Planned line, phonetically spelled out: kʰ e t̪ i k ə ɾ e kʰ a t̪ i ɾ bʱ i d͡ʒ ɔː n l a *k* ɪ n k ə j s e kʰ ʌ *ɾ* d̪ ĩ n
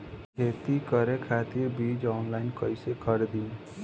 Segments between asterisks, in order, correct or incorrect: incorrect: none, correct

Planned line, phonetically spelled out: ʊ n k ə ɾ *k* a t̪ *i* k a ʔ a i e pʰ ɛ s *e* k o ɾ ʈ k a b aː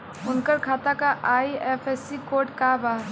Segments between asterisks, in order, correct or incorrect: incorrect: kʰ, incorrect: a, incorrect: i

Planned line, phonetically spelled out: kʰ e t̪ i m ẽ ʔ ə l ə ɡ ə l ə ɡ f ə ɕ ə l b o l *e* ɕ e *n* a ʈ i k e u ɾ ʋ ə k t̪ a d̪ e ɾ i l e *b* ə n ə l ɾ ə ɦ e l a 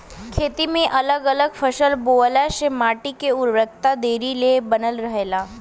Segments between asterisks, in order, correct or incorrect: incorrect: a, incorrect: m, correct

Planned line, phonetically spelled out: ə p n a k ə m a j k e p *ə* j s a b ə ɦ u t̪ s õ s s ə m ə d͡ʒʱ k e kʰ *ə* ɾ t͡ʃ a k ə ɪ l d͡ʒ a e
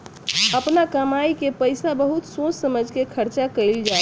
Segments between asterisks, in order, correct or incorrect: correct, correct

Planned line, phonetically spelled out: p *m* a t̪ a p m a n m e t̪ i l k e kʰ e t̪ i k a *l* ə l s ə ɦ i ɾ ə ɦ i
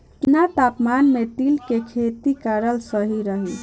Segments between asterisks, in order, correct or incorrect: incorrect: n, incorrect: ɾ

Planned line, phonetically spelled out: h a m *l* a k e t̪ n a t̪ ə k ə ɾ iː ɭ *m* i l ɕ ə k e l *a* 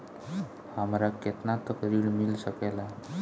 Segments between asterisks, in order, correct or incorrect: incorrect: ɾ, correct, correct

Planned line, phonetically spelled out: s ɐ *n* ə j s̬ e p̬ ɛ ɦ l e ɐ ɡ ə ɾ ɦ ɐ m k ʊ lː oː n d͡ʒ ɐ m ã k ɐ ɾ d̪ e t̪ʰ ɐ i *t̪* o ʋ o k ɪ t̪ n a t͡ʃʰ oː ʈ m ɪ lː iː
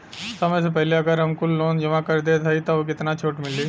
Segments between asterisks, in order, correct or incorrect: incorrect: m, correct

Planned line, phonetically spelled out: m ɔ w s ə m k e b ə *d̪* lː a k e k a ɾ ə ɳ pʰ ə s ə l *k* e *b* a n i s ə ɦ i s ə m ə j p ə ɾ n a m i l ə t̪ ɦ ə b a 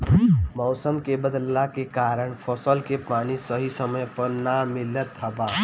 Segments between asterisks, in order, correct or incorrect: correct, correct, incorrect: p

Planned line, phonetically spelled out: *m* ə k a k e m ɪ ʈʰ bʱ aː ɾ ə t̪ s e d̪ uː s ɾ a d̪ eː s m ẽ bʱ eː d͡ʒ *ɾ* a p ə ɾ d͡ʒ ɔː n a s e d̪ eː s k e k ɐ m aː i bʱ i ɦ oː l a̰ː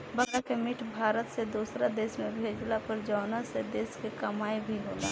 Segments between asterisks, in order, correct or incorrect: incorrect: b, incorrect: l

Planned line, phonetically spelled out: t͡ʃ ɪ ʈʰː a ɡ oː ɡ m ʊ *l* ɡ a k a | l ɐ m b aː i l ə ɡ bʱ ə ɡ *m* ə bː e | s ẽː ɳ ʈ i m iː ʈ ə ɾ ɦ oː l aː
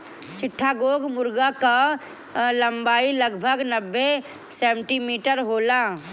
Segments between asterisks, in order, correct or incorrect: incorrect: ɾ, incorrect: n

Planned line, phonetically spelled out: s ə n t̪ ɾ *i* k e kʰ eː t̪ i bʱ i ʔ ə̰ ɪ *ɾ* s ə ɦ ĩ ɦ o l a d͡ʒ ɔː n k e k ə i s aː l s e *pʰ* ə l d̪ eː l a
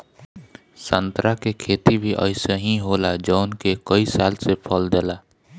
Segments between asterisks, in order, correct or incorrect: incorrect: a, incorrect: none, correct

